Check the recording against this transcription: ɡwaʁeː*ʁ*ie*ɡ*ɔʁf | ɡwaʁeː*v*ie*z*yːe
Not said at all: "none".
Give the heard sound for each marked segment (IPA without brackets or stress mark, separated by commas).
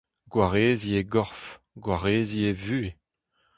z, ɡ, z, v